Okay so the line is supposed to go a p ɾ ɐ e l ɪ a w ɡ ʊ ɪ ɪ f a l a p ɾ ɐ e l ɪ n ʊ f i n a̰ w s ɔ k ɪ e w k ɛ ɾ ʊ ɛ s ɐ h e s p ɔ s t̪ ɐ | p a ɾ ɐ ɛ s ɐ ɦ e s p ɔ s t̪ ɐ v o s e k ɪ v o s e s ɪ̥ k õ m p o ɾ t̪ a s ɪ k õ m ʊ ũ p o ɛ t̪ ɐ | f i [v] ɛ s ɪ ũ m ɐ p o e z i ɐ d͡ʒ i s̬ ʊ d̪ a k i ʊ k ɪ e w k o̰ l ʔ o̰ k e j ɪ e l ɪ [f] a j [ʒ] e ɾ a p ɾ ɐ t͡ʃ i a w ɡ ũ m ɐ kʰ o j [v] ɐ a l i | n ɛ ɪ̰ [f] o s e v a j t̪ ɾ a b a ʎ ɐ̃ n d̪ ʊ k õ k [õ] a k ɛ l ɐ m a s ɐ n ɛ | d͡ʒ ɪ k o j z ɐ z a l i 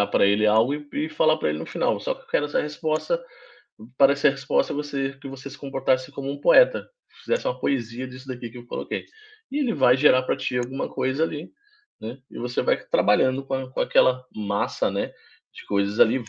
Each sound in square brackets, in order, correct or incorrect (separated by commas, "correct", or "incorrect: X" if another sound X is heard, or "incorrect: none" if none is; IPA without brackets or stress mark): incorrect: z, incorrect: v, correct, incorrect: z, incorrect: v, correct